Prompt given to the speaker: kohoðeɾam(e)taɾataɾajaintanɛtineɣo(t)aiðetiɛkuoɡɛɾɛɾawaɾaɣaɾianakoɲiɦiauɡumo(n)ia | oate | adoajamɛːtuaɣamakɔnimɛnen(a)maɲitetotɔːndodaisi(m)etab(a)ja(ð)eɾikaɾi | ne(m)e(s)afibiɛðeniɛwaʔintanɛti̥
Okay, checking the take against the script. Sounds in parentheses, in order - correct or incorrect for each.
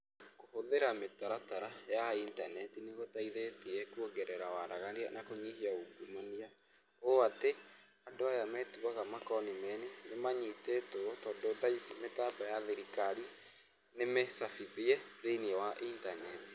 correct, correct, correct, incorrect, correct, correct, correct, correct, correct

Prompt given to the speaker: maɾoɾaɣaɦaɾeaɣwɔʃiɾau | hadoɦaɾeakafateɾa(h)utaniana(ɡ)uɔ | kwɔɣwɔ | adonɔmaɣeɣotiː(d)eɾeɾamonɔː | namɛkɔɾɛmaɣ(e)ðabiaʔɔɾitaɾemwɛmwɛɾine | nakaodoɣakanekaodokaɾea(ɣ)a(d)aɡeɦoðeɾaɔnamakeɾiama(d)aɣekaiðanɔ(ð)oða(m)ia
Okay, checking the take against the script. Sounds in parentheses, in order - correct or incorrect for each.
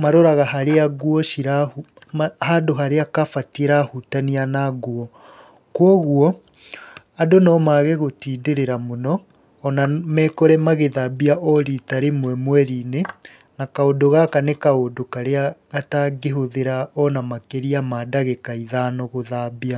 correct, correct, correct, correct, correct, incorrect, correct, incorrect, incorrect

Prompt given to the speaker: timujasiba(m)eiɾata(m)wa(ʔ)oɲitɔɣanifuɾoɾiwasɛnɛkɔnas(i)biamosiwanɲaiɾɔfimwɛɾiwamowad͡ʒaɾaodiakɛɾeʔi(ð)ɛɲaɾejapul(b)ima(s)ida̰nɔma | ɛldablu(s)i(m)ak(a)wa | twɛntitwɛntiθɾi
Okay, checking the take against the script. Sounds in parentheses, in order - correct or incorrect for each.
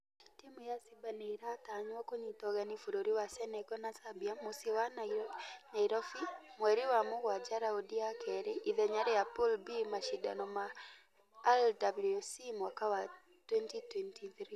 incorrect, incorrect, incorrect, incorrect, correct, correct, incorrect, correct, correct, correct

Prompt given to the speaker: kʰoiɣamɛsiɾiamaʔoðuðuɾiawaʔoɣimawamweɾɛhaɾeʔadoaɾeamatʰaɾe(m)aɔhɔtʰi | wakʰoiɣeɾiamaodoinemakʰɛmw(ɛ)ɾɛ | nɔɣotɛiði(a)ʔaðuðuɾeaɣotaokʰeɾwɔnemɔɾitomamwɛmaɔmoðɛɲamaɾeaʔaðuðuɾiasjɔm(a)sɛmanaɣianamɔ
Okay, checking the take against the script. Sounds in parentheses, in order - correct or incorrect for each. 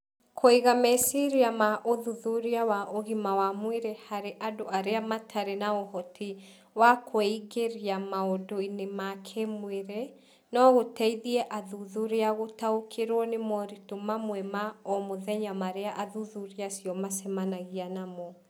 incorrect, incorrect, incorrect, correct

